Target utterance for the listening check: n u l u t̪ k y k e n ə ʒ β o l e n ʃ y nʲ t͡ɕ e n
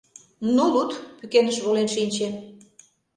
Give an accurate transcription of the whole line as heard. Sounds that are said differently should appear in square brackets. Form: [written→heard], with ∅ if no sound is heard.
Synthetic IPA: n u l u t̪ [k→p] y k e n ə [ʒ→ʃ] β o l e n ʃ [y→i] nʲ t͡ɕ e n